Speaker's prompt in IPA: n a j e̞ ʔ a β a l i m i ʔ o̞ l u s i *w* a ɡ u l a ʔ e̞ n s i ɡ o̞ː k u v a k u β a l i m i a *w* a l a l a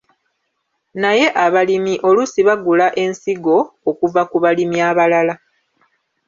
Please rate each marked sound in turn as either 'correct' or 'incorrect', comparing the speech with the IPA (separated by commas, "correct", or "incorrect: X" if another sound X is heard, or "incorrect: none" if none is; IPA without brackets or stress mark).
incorrect: β, incorrect: β